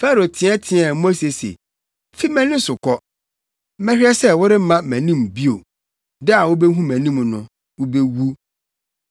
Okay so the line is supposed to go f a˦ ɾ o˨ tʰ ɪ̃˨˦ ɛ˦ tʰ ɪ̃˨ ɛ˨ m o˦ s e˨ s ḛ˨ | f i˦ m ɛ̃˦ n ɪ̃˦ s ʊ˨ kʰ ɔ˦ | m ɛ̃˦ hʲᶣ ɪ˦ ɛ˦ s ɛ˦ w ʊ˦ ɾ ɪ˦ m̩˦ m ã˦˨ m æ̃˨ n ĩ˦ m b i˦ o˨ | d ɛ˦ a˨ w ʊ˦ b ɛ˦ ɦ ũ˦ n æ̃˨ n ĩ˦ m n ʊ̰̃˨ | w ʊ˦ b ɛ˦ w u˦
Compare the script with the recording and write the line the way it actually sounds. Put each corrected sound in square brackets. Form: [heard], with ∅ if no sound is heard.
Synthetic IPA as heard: f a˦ ɾ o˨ tʰ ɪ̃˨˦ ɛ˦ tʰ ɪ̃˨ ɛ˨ m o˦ s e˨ s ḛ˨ | f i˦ m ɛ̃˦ n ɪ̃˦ s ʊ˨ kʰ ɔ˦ | m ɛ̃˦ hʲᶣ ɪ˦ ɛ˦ s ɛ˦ w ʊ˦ ɾ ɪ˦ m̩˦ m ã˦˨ m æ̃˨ n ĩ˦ m b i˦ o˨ | d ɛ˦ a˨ w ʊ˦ b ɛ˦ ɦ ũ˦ [m] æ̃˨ n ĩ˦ m n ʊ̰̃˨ | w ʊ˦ b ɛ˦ w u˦